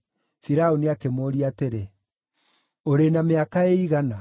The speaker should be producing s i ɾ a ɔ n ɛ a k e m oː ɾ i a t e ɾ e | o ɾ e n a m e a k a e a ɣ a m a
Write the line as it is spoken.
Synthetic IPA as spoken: f i ɾ a o n i a k e m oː ɾ i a t e ɾ e | o ɾ e n a m e a k a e i ɣ a n a